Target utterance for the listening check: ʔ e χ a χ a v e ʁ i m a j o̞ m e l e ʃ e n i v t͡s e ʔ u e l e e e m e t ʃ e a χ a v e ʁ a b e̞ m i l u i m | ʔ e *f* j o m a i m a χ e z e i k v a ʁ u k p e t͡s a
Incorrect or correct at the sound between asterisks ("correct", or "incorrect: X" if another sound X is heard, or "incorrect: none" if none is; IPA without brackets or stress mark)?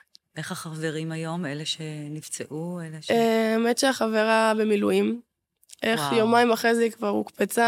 incorrect: χ